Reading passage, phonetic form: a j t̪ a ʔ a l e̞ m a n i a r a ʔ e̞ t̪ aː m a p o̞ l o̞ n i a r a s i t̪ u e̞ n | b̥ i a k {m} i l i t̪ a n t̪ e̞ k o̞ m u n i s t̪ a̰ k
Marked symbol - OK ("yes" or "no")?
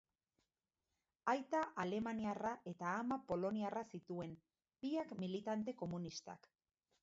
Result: yes